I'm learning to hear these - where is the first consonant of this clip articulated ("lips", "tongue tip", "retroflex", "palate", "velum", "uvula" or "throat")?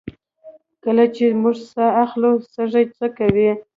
velum